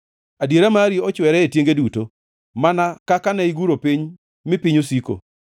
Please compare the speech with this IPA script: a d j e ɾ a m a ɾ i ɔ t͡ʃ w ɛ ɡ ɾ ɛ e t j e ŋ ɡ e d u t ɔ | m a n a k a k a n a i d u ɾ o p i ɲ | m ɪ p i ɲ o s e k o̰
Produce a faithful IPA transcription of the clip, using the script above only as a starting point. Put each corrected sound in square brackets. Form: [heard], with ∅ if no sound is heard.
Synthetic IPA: a d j e ɾ a m a ɾ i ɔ t͡ʃ w ɛ [∅] ɾ ɛ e t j e ŋ ɡ e d u t [o] | m a n a k a k a n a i [ɡ] u ɾ o p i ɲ | m ɪ p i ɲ o s [i] k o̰